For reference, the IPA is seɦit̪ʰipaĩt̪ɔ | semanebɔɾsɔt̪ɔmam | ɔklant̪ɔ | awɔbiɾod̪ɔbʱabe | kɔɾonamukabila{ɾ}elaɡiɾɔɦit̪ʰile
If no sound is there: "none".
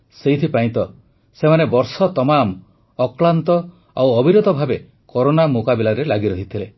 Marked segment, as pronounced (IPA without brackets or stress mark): ɾ